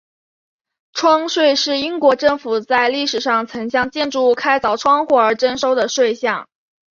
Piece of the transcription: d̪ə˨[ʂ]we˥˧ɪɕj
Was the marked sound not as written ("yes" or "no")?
no